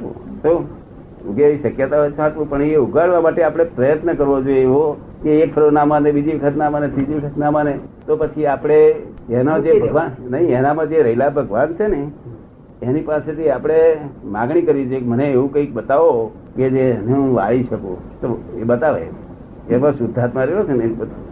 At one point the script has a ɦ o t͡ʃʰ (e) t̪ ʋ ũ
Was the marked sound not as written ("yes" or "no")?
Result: yes